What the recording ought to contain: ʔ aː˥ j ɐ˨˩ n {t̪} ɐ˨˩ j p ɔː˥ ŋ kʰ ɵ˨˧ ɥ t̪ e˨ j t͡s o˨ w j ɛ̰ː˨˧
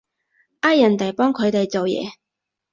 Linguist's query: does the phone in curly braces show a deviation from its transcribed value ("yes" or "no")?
no